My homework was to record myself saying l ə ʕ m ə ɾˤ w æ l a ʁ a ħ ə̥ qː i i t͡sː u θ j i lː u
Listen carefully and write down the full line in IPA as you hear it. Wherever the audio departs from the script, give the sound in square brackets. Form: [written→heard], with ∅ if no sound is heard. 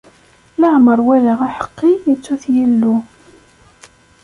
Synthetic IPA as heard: l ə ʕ m ə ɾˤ w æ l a ʁ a ħ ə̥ qː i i t͡sː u θ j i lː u